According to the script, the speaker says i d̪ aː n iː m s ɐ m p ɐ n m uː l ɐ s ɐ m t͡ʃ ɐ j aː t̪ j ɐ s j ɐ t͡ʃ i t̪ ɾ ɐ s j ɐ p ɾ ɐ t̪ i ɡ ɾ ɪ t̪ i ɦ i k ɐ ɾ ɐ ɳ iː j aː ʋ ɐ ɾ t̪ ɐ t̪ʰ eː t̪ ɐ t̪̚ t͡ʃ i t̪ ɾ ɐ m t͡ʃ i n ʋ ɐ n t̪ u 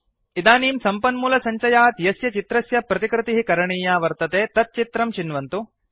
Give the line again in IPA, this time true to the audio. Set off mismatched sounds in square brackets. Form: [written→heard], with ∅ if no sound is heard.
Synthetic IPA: i d̪ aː n iː m s ɐ m p ɐ n m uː l ɐ s ɐ [m→ɲ] t͡ʃ ɐ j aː t̪ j ɐ s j ɐ t͡ʃ i t̪ ɾ ɐ s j ɐ p ɾ ɐ t̪ i [ɡ→k] ɾ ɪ t̪ i ɦ i k ɐ ɾ ɐ ɳ iː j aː ʋ ɐ ɾ t̪ ɐ [t̪ʰ→t̪] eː t̪ ɐ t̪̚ t͡ʃ i t̪ ɾ ɐ m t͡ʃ i n ʋ ɐ n t̪ u

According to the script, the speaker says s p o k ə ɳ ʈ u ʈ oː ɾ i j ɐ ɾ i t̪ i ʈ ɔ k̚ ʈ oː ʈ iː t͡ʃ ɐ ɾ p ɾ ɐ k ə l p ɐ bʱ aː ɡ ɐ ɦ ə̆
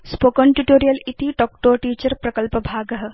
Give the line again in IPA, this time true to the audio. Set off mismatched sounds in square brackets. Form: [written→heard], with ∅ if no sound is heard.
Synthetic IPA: s p o k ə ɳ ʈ u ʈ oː ɾ i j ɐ [ɾ→l] i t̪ i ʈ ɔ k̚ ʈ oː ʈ iː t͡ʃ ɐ ɾ p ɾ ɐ k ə l p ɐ bʱ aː ɡ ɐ ɦ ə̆

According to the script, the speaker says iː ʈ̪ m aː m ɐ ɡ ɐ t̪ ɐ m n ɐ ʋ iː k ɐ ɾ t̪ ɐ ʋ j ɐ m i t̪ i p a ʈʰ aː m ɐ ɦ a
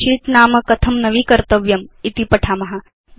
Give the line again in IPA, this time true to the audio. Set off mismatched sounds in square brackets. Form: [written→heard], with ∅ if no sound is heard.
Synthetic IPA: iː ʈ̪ [m→n] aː m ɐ [ɡ→k] ɐ [t̪→t̪ʰ] ɐ m n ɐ ʋ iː k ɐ ɾ t̪ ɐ ʋ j ɐ m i t̪ i p [a→ɐ] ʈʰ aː m ɐ ɦ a

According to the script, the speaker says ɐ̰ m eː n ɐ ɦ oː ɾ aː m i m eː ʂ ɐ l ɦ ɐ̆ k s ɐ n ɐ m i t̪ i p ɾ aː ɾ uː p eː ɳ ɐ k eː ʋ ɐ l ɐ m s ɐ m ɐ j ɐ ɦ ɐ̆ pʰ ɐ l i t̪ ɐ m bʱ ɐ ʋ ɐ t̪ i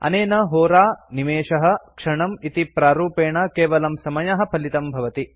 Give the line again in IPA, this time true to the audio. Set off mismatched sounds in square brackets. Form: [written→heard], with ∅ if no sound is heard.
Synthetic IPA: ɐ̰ [m→n] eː n ɐ ɦ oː ɾ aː [m→n] i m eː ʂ ɐ [l→∅] ɦ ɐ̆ k [s→ʂ] ɐ [n→ɳ] ɐ m i t̪ i p ɾ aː ɾ uː p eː ɳ ɐ k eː ʋ ɐ l ɐ m s ɐ m ɐ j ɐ ɦ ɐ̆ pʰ ɐ l i t̪ ɐ m bʱ ɐ ʋ ɐ t̪ i

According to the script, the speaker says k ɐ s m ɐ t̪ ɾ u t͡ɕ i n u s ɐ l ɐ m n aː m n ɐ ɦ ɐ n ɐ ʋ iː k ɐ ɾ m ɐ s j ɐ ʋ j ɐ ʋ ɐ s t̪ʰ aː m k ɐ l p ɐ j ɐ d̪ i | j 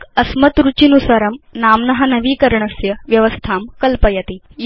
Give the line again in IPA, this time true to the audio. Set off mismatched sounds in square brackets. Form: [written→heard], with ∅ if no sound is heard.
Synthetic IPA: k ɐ s m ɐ t̪ ɾ u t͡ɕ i n u s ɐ [l→ɾ] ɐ m n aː m n ɐ ɦ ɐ n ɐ ʋ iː k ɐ ɾ [m→ɳ] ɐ s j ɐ ʋ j ɐ ʋ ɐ s t̪ʰ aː m k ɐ l p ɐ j ɐ [d̪→t̪] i | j

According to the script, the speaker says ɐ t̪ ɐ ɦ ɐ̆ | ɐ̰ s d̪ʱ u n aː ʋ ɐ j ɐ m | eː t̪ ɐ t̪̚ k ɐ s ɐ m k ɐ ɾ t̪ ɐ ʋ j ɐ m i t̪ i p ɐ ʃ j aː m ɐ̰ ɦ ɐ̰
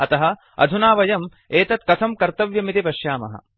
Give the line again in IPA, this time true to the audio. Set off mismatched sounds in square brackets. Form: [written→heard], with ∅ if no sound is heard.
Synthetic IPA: ɐ t̪ ɐ ɦ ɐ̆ | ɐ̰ [s→∅] d̪ʱ u n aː ʋ ɐ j ɐ m | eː t̪ ɐ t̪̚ k ɐ s ɐ m k ɐ ɾ t̪ ɐ ʋ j ɐ m i t̪ i p ɐ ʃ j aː m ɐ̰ ɦ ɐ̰

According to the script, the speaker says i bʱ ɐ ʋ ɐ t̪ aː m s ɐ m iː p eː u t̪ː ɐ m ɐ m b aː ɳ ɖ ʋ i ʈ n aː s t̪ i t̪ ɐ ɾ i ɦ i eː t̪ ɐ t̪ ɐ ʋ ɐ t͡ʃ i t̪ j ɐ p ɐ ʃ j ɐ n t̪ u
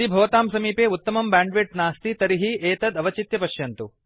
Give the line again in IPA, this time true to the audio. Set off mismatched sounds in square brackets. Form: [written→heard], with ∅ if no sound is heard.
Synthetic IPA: i bʱ ɐ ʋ ɐ t̪ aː m s ɐ m iː p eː u t̪ː ɐ m ɐ m b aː ɳ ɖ ʋ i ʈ n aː s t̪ i t̪ ɐ ɾ i ɦ i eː t̪ ɐ [t̪→d̪] ɐ ʋ ɐ t͡ʃ i t̪ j ɐ p ɐ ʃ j ɐ n t̪ u

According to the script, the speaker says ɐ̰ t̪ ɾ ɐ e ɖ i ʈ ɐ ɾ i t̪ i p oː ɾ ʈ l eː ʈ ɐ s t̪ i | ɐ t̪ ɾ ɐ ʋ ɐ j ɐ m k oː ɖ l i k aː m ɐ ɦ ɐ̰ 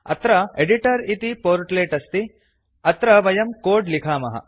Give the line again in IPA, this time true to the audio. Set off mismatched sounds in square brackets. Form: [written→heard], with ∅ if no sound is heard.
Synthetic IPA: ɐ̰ t̪ ɾ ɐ e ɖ i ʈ ɐ ɾ i t̪ i p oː ɾ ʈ l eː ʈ ɐ s t̪ i | ɐ t̪ ɾ ɐ ʋ ɐ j ɐ m k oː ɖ l i [k→kʰ] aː m ɐ ɦ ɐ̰

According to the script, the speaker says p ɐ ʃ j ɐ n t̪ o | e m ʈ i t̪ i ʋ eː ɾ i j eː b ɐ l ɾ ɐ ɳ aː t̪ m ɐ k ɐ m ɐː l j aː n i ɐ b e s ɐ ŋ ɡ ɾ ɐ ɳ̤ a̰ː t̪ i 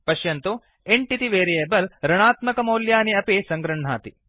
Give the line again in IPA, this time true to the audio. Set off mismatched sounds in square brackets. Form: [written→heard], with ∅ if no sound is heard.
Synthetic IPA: p ɐ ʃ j ɐ n t̪ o | e [m→ɳ] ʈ i t̪ i ʋ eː ɾ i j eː b ɐ l ɾ ɐ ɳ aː t̪ m ɐ k ɐ m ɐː l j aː n i ɐ [b→p] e s ɐ ŋ ɡ ɾ ɐ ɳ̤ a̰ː t̪ i

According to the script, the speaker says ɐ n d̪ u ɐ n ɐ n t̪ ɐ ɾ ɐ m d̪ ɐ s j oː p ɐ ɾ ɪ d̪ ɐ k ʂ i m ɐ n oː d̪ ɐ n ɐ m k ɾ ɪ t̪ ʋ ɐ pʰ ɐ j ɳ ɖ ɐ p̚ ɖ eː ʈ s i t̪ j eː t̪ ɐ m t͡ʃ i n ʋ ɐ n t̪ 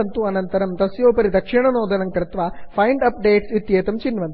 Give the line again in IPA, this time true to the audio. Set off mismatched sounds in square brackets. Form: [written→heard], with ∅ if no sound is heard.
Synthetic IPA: ɐ n [d̪→t̪] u ɐ n ɐ n t̪ ɐ ɾ ɐ m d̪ ɐ s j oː p ɐ ɾ [ɪ→i] d̪ ɐ k ʂ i [m→ɳ] ɐ n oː d̪ ɐ n ɐ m k ɾ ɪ t̪ ʋ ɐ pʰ ɐ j ɳ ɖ ɐ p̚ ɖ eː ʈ s i t̪ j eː t̪ ɐ m t͡ʃ i n ʋ ɐ n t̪

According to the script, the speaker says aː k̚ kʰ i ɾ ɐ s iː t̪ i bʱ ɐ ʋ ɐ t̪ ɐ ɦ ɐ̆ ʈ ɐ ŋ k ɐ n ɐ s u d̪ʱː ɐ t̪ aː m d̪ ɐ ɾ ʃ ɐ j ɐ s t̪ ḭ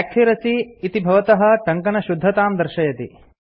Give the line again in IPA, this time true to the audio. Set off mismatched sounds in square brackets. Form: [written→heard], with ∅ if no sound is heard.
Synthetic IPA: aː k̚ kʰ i ɾ ɐ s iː t̪ i bʱ ɐ ʋ ɐ t̪ ɐ ɦ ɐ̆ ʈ ɐ ŋ k ɐ n ɐ [s→ʃ] u d̪ʱː ɐ t̪ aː m d̪ ɐ ɾ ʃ ɐ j ɐ [s→∅] t̪ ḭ

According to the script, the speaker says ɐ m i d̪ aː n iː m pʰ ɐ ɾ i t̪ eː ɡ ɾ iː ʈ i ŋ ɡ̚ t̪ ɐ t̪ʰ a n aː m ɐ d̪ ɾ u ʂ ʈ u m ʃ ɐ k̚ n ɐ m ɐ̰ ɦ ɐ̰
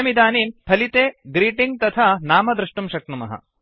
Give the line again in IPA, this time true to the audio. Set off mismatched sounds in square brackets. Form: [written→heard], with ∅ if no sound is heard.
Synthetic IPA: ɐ m i d̪ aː n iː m pʰ ɐ [ɾ→l] i t̪ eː ɡ ɾ iː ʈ i ŋ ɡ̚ t̪ ɐ t̪ʰ a n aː m ɐ d̪ ɾ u ʂ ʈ u m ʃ ɐ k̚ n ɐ m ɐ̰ ɦ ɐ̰

